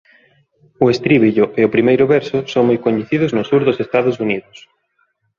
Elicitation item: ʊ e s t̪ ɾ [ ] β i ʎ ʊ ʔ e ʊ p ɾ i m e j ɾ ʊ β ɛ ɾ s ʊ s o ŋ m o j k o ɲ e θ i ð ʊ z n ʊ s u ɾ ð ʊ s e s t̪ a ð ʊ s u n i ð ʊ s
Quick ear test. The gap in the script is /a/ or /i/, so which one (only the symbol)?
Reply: i